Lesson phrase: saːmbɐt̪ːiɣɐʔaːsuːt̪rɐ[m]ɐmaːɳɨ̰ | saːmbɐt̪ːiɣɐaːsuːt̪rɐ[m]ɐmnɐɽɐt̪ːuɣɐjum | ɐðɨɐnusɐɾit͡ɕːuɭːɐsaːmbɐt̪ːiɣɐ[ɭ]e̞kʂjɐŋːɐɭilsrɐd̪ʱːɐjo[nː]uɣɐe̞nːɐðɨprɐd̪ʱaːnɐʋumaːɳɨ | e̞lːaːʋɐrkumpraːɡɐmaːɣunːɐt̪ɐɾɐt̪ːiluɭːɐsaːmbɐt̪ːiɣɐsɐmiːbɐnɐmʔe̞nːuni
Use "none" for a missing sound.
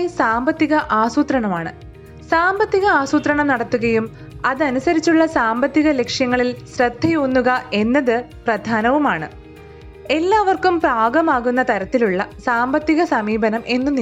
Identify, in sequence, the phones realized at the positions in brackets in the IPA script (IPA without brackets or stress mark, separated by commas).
ɳ, ɳ, l, nː